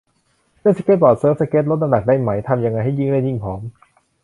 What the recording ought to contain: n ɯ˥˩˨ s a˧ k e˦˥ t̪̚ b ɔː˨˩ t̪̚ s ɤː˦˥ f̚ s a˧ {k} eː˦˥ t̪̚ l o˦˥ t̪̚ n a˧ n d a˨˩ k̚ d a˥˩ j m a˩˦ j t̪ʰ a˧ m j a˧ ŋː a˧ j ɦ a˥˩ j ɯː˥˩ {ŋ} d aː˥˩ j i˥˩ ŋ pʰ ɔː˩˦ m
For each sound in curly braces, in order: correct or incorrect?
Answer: correct, correct

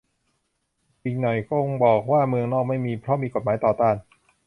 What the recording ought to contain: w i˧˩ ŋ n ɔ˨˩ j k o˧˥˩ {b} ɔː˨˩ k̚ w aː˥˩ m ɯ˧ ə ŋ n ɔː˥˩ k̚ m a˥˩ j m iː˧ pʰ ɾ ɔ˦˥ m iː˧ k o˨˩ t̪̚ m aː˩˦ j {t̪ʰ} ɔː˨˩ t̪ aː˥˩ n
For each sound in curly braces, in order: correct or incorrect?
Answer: correct, incorrect: t̪

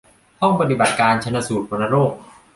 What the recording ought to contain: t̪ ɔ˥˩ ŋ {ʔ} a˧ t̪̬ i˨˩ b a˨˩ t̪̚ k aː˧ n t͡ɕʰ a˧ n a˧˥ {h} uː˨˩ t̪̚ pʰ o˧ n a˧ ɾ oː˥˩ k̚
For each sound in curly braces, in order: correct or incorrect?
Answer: incorrect: p, incorrect: s

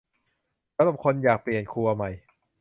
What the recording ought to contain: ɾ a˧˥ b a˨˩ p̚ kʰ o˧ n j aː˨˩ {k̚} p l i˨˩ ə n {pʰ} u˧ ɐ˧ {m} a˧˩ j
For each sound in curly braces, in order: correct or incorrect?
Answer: correct, incorrect: kʰ, correct

